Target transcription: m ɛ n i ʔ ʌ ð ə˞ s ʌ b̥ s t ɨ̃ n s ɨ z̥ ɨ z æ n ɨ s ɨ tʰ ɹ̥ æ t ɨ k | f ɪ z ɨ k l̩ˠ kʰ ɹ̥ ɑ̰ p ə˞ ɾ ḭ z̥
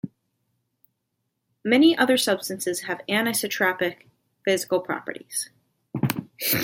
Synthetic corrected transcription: m ɛ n i ʔ ʌ ð ə˞ s ʌ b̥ s t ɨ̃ n s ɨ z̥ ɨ v æ n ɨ s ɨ tʰ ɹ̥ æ p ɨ k | f ɪ z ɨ k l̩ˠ pʰ ɹ̥ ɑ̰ p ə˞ ɾ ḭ z̥